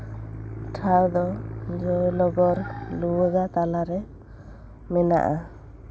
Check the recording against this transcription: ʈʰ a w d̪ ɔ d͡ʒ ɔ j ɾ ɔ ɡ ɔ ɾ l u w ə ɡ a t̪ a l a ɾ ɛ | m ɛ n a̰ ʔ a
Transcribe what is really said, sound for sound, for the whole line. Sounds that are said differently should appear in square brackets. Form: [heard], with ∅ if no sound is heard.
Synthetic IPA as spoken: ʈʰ a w d̪ ɔ d͡ʒ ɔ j [l] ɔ ɡ ɔ ɾ l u w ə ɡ a t̪ a l a ɾ ɛ | m ɛ n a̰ ʔ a

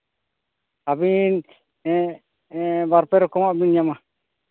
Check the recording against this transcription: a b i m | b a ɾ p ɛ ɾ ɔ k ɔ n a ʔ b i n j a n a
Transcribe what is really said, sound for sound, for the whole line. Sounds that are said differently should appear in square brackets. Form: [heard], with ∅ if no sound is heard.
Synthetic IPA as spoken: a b i [n] | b a ɾ p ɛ ɾ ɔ k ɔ [m] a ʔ b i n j a [m] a

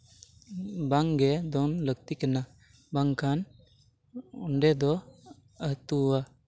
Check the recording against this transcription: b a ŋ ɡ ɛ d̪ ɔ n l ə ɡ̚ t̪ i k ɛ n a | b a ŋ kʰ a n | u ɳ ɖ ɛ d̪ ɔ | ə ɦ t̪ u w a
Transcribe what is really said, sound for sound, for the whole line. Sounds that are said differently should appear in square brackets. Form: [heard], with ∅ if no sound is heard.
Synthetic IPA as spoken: b a ŋ ɡ ɛ d̪ ɔ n l ə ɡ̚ t̪ i k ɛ n a | b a ŋ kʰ a n | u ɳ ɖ ɛ d̪ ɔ | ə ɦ t̪ u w a

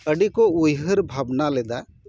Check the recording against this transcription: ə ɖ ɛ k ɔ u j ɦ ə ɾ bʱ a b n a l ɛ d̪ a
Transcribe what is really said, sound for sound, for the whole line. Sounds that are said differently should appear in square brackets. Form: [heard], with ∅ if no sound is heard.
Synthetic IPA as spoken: ə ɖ [i] k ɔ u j ɦ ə ɾ bʱ a b n a l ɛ d̪ a

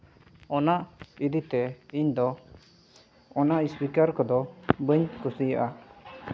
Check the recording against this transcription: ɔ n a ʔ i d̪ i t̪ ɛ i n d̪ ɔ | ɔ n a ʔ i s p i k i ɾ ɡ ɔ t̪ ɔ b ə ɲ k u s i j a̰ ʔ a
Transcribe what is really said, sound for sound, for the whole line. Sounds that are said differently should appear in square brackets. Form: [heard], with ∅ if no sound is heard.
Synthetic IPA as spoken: ɔ n a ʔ i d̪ i t̪ ɛ i [ɲ] d̪ ɔ | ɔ n a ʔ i s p i k [a] ɾ [k] ɔ [d̪] ɔ b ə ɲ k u s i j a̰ ʔ a

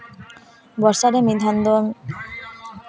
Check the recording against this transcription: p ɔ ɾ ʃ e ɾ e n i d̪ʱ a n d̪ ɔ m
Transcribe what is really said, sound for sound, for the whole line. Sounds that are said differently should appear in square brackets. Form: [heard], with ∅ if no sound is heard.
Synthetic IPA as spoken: [b] ɔ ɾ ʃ [a] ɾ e [m] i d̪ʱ a n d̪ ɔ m

